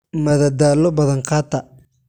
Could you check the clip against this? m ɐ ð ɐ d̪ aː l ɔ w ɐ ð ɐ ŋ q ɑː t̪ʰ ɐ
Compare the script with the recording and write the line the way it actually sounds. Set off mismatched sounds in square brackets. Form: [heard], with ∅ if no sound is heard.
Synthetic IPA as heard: m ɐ ð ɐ d̪ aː l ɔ [b] ɐ ð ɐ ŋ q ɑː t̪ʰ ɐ